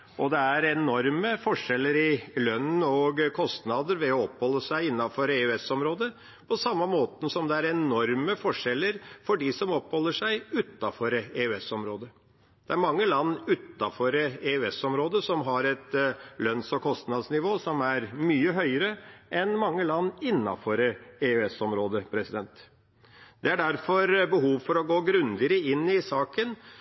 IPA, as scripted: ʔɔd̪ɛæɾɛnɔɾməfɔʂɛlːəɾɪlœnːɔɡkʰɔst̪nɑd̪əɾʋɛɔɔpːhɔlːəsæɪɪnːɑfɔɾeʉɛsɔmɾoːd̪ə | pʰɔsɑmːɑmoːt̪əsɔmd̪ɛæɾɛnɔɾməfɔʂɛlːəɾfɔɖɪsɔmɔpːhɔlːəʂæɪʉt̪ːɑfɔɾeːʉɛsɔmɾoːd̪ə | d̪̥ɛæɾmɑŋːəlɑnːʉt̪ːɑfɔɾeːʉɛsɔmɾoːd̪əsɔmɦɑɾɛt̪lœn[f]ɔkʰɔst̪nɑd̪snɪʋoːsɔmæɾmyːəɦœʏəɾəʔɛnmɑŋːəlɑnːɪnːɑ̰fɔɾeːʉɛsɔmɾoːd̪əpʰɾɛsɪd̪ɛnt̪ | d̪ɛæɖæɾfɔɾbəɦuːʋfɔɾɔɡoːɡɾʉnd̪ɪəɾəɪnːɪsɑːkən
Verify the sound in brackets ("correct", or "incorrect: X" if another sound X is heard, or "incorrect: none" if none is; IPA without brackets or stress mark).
incorrect: s